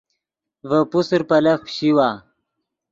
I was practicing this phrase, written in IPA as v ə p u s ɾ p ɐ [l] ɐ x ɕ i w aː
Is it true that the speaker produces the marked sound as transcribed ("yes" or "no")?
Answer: yes